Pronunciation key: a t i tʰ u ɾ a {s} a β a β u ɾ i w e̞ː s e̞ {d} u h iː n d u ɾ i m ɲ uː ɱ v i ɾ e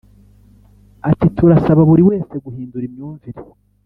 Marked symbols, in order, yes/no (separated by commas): yes, no